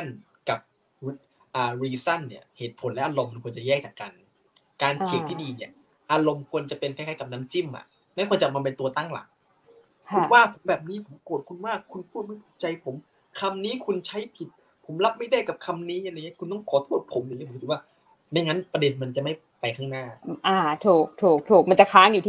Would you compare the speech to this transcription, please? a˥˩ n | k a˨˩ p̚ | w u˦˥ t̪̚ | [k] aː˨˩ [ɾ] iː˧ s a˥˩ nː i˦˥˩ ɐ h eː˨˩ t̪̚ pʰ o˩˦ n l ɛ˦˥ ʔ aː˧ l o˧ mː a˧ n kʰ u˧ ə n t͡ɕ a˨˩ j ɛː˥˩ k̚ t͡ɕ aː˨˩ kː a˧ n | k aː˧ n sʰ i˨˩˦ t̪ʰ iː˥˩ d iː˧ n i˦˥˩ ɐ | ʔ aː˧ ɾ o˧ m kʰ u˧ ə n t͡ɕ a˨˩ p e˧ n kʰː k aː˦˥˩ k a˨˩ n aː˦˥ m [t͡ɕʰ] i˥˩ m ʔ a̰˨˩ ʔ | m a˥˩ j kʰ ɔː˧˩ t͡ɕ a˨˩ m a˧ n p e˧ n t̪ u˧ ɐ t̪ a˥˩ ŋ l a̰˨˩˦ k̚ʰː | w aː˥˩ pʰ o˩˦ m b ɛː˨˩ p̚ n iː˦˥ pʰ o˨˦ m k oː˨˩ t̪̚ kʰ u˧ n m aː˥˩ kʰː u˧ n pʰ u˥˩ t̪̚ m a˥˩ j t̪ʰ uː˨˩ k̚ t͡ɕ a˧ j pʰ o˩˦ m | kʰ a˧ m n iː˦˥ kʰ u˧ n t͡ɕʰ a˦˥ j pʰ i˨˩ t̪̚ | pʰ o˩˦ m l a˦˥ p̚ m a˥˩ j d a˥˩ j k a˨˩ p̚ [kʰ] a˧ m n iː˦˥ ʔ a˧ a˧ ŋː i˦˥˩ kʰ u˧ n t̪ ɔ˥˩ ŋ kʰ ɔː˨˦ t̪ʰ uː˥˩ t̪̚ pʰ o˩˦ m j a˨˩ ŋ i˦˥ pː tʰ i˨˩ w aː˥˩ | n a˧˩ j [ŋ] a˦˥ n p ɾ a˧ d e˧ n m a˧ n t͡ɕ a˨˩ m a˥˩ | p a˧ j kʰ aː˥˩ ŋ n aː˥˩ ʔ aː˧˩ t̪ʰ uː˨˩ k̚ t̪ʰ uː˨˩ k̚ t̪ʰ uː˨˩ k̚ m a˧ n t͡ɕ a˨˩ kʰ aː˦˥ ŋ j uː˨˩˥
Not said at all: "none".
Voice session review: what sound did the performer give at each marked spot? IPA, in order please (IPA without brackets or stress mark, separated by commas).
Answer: ʔ, ɾ, t͡ɕ, kʰ, ŋ